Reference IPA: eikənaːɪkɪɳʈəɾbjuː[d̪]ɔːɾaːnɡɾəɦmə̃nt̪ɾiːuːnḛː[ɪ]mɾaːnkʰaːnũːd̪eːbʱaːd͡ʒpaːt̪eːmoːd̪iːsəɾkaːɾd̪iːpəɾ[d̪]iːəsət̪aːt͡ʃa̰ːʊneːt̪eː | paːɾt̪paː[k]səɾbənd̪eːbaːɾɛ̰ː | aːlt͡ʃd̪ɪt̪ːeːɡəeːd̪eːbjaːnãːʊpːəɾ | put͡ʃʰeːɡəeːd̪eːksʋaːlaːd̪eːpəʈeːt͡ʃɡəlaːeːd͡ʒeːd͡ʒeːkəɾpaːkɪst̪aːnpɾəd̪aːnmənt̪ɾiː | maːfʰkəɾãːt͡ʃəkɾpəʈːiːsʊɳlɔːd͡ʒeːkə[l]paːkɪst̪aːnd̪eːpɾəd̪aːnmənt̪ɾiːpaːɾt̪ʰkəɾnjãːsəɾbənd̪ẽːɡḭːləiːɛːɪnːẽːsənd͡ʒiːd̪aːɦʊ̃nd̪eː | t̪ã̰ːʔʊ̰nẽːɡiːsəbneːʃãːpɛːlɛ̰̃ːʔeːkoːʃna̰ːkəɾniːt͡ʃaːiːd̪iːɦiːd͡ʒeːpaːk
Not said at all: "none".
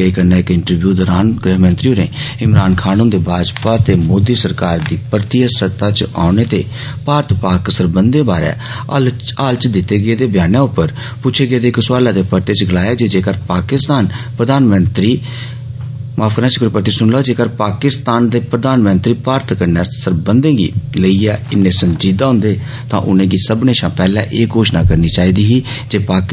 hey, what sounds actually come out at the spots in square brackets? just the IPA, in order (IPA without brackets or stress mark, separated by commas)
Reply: d̪, ɪ, t̪, k, ɾ